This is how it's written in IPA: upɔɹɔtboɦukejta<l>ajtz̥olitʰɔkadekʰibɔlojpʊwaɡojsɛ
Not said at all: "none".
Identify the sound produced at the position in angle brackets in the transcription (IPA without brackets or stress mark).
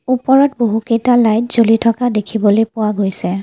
l